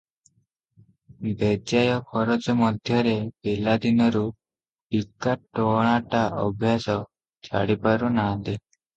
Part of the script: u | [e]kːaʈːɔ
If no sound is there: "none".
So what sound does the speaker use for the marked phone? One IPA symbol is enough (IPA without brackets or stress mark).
i